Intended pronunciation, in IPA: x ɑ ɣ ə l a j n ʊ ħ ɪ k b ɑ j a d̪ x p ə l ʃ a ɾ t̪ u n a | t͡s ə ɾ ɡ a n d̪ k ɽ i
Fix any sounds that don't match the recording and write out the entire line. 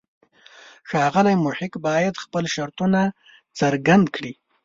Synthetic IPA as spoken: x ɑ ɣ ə l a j m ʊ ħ ɪ k b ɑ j a d̪ x p ə l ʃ a ɾ t̪ u n a | t͡s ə ɾ ɡ a n d̪ k ɽ i

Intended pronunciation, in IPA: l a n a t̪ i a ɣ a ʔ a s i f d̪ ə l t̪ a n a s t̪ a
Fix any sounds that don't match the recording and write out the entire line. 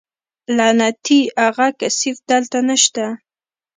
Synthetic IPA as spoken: l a n a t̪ i a ɣ a k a s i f d̪ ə l t̪ a n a ʃ t̪ a

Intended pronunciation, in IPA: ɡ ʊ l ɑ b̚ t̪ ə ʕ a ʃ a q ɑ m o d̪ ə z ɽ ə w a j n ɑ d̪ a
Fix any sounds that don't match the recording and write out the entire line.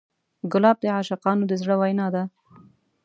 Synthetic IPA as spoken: ɡ ʊ l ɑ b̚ d̪ ə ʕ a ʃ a q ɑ n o d̪ ə z ɽ ə w a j n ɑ d̪ a

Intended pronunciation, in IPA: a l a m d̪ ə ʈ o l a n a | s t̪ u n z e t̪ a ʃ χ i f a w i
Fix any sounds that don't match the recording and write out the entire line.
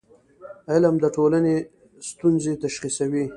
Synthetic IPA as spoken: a l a m d̪ ə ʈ o l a n e | s t̪ u n z e t̪ a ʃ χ i s a w i

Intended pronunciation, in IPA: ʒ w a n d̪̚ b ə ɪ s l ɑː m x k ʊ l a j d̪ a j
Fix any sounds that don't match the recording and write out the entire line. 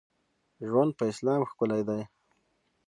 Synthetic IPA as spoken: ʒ w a n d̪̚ p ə ɪ s l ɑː m x k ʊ l a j d̪ a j

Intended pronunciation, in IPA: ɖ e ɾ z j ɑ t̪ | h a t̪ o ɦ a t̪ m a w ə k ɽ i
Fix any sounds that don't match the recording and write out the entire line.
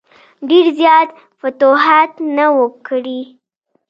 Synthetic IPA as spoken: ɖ e ɾ z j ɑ t̪ | f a t̪ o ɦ a t̪ n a w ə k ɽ i

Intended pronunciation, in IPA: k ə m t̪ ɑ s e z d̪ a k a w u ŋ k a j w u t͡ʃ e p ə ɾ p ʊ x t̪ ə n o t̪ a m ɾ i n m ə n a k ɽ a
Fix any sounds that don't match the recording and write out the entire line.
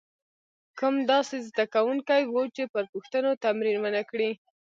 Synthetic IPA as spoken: k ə m d̪ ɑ s e z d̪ a k a w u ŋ k a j w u t͡ʃ e p ə ɾ p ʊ x t̪ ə n o t̪ a m ɾ i n m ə n a k ɽ i

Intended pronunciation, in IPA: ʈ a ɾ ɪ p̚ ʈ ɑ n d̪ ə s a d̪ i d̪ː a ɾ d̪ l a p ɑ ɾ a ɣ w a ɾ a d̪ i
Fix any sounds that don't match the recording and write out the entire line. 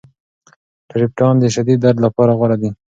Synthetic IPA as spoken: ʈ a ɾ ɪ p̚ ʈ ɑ n d̪ ə ʃ a d̪ i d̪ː a ɾ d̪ l a p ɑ ɾ a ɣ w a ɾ a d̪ i

